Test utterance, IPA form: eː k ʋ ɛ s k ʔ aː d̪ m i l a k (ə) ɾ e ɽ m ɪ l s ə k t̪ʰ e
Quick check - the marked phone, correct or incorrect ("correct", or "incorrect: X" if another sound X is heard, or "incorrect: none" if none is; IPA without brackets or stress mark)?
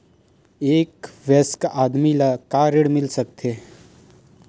incorrect: a